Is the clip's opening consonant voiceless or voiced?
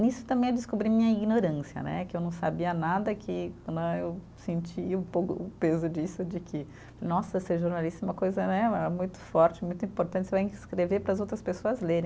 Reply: voiced